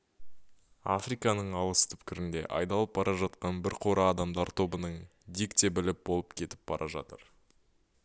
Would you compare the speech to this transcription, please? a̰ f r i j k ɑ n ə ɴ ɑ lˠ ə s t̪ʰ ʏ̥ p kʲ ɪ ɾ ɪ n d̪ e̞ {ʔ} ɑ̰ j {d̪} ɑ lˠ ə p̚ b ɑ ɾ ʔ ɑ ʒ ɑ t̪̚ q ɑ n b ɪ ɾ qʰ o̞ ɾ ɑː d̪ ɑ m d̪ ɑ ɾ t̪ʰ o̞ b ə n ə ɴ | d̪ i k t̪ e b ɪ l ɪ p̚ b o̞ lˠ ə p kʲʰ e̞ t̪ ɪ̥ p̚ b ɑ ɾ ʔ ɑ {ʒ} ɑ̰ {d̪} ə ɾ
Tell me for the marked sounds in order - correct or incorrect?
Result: correct, correct, correct, incorrect: t̪

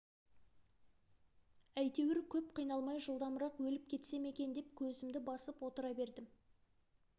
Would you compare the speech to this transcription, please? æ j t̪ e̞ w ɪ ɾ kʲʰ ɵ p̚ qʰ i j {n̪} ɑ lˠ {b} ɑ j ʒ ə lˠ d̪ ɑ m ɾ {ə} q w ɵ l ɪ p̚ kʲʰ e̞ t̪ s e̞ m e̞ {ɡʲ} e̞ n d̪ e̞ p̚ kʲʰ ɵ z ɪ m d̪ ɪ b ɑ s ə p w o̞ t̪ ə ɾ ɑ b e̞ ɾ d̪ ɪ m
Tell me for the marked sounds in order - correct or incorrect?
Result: correct, incorrect: m, incorrect: ɑ, incorrect: kʲ

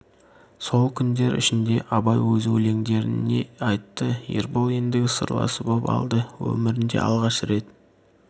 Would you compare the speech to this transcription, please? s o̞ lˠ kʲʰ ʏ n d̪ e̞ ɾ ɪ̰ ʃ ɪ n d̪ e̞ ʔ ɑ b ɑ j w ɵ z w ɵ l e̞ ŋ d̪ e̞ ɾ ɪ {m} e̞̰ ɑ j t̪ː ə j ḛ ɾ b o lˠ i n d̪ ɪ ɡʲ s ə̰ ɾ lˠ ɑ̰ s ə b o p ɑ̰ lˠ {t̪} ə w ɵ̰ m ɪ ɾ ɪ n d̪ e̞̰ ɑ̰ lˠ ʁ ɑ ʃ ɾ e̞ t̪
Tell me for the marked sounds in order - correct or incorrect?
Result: incorrect: n, incorrect: d̪

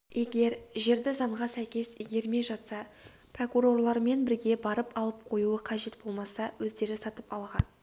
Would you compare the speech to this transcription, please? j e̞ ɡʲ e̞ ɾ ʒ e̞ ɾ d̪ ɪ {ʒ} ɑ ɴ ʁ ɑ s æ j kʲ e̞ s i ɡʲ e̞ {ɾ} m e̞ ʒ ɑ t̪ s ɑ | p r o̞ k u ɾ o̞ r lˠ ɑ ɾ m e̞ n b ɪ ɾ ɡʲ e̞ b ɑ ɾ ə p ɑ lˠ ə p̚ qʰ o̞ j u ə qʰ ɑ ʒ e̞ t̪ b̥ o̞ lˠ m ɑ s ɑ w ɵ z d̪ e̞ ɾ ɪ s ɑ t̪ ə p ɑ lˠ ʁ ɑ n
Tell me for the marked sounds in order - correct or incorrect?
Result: incorrect: z, correct

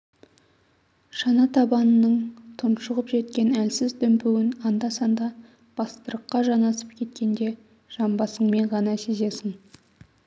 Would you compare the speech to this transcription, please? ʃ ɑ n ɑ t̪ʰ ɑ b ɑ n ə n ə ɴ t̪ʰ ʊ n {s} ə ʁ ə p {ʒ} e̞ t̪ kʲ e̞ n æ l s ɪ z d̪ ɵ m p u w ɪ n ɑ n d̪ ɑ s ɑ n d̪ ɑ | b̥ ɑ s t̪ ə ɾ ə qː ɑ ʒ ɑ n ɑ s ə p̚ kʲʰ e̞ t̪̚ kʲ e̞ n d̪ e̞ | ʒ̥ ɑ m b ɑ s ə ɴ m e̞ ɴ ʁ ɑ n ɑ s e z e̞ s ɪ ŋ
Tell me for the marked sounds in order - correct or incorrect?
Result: incorrect: ʃ, correct

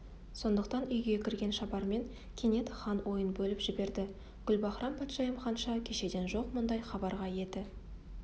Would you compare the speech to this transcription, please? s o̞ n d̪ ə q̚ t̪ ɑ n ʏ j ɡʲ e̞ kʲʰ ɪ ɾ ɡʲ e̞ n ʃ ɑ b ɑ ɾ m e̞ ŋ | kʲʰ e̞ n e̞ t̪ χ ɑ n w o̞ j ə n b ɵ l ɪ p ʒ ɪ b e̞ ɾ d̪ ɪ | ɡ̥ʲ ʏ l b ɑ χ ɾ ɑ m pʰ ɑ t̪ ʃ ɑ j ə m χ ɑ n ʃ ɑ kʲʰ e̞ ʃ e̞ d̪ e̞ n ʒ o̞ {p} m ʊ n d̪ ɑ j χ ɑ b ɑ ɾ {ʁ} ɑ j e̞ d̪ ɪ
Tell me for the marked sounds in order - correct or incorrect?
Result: incorrect: q, correct

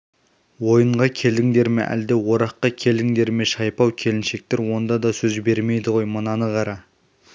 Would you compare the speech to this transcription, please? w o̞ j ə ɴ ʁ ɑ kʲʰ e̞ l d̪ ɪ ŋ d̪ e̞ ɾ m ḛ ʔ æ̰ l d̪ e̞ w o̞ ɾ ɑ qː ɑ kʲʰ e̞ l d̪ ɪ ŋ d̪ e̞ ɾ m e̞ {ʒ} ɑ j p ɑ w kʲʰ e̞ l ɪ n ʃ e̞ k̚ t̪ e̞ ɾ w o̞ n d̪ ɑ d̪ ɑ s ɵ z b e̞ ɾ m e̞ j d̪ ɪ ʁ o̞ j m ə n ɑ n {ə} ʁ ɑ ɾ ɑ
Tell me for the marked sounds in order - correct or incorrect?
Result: incorrect: ʃ, correct

